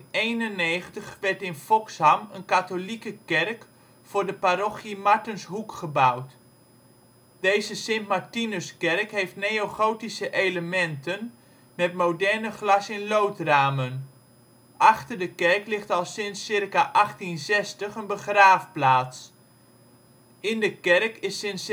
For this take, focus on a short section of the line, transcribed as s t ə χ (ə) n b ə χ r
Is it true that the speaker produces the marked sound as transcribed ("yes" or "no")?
yes